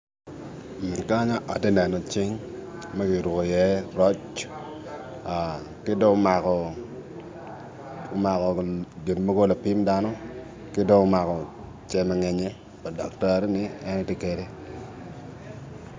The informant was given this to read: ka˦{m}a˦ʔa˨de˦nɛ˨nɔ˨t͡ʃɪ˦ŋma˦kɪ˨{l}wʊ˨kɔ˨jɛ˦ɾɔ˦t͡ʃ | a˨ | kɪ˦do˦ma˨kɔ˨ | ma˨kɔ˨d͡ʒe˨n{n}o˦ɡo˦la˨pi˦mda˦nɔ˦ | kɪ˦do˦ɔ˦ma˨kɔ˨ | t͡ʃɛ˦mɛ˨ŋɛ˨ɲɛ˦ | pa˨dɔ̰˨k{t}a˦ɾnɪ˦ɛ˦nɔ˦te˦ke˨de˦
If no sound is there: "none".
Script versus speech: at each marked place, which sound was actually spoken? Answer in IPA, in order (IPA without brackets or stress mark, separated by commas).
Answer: ɲ, ɾ, m, t